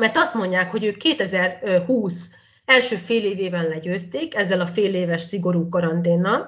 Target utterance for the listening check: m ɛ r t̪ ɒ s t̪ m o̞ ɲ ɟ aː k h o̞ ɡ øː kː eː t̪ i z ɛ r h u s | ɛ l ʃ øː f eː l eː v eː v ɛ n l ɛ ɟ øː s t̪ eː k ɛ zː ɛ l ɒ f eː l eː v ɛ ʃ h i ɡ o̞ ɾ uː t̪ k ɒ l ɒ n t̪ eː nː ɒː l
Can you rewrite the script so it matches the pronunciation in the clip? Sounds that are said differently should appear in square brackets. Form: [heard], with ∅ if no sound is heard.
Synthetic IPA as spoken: m ɛ r t̪ ɒ s t̪ m o̞ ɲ ɟ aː k h o̞ [ɟ] øː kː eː t̪ [ɛ] z ɛ r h [uː] s | ɛ l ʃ øː f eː l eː v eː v ɛ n l ɛ ɟ øː s t̪ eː k ɛ zː ɛ l ɒ f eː l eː v ɛ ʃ [s] i ɡ o̞ ɾ uː [∅] k ɒ [ɾ] ɒ n t̪ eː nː [ɒ] l